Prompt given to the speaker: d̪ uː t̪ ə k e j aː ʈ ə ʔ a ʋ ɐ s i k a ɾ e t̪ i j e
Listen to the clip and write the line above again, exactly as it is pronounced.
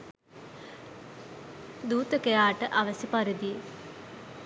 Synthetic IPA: d̪ uː t̪ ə k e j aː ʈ ə ʔ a ʋ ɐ s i p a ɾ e d̪ i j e

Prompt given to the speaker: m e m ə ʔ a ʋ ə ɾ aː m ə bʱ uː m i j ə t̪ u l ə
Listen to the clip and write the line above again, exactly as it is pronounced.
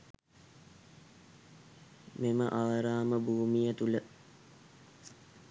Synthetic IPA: m e m ə ʔ a ʋ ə ɾ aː m ə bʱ uː m i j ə t̪ u l ə

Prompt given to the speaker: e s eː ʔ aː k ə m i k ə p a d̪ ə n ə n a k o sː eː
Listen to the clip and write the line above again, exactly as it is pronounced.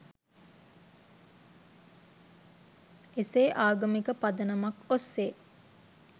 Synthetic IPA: e s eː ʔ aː ɡ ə m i k ə p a d̪ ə n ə m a k o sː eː

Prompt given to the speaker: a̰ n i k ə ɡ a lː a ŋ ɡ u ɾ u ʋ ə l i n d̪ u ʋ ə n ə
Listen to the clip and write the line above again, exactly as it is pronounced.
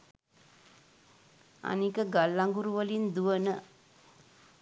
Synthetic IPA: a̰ n i k ə ɡ a lː a ŋ ɡ u ɾ u ʋ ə l i n d̪ u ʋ ə n ə

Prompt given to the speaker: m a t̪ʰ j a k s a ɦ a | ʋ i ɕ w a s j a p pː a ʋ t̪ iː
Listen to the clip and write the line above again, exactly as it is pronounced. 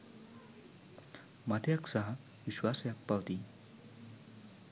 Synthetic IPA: m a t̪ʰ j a k s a ɦ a | ʋ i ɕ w a s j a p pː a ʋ t̪ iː

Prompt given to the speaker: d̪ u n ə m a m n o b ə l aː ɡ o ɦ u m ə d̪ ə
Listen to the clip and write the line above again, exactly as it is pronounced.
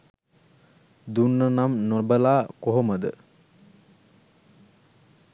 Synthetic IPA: d̪ u nː ə n a m n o b ə l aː k o ɦ o m ə d̪ ə

